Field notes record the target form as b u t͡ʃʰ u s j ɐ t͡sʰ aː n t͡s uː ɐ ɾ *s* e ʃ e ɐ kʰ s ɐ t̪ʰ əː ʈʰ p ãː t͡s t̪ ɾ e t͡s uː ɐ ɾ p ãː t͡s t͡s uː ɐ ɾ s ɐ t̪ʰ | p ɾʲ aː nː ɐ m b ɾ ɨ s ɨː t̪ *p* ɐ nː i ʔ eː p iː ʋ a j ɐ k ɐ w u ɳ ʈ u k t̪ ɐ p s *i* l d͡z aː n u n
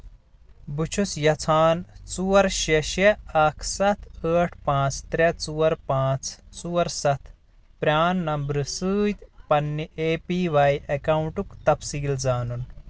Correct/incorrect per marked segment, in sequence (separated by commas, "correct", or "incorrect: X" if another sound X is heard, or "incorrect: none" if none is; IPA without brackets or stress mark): incorrect: ʃ, correct, incorrect: iː